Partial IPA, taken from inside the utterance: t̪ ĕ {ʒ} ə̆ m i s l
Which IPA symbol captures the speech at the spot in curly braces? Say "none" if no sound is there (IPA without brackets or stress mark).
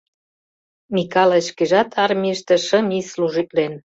ʃ